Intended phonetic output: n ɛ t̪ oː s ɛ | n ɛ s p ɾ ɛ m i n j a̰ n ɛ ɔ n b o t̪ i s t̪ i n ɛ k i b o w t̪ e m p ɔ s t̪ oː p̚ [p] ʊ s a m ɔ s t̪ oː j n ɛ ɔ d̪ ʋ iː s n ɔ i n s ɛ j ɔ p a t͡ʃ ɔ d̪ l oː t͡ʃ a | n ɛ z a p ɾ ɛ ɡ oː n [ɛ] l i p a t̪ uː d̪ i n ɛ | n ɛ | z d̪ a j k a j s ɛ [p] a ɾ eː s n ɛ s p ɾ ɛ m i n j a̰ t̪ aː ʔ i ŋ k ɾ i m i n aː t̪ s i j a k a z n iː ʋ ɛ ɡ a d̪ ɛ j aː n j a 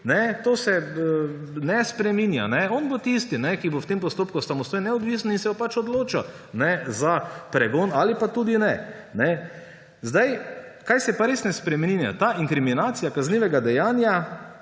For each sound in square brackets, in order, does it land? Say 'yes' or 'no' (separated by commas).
no, no, yes